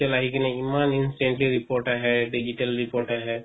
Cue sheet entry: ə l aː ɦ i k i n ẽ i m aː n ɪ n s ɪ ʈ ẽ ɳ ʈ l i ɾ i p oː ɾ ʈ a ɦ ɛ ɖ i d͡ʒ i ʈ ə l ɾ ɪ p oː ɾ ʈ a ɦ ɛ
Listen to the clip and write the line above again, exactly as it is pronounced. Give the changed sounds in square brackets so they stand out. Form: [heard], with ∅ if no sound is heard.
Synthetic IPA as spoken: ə l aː ɦ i k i n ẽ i m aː n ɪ n s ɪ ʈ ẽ ɳ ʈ l i ɾ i p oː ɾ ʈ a ɦ ɛ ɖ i d͡ʒ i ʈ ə l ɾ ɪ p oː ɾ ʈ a ɦ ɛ